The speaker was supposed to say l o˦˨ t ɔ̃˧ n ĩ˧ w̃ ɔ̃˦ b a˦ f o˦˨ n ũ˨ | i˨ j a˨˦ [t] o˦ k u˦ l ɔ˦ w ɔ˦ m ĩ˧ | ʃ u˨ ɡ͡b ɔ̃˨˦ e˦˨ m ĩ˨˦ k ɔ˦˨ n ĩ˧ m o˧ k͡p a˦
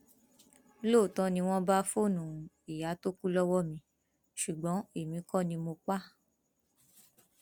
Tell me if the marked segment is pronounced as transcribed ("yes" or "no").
yes